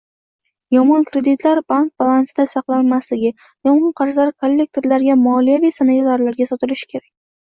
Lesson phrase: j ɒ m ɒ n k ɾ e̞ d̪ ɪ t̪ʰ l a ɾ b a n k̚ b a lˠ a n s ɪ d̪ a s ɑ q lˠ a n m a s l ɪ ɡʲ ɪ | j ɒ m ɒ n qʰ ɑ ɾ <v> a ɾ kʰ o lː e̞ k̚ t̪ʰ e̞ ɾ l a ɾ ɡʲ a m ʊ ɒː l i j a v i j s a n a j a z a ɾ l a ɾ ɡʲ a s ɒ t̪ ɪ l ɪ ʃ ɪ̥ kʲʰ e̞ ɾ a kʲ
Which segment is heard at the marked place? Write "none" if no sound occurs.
z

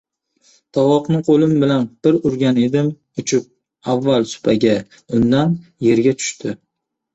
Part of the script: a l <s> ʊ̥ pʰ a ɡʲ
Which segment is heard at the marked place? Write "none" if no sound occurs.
s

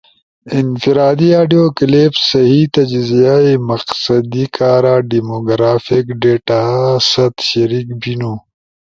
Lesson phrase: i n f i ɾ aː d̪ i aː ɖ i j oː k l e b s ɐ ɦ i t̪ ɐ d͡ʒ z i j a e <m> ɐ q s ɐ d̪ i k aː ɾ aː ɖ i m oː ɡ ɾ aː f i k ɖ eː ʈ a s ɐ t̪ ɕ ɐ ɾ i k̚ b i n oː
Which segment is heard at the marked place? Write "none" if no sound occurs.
m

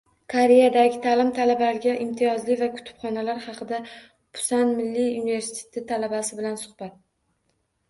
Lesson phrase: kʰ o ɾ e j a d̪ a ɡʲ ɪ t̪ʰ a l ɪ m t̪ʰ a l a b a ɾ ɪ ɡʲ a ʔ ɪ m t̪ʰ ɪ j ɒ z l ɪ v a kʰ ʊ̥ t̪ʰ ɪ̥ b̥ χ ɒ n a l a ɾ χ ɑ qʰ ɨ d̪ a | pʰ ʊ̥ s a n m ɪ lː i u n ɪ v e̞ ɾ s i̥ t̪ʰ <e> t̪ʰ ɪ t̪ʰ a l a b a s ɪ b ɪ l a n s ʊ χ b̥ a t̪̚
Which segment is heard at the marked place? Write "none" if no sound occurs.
e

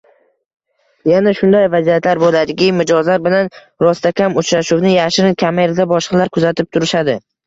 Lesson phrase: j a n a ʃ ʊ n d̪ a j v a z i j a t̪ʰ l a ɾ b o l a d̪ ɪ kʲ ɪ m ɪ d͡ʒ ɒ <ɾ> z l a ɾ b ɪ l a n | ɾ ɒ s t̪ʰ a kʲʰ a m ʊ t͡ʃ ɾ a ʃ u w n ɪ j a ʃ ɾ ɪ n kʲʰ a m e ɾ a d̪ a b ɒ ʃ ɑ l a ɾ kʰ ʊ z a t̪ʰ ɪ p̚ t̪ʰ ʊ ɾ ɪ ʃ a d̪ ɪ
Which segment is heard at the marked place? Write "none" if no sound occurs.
none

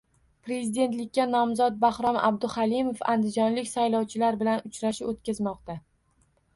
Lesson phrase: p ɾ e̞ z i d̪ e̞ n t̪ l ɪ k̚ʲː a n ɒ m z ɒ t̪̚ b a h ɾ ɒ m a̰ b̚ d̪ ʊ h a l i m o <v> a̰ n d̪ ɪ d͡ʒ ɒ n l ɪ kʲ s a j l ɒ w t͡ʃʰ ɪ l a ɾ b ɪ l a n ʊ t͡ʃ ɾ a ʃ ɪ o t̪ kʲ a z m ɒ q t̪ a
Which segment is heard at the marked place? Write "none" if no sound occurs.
f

